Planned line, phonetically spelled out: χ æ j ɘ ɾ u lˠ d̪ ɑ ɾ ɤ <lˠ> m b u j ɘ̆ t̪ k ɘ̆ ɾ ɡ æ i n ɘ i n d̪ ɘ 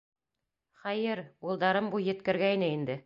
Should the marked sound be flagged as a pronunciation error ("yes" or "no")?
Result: yes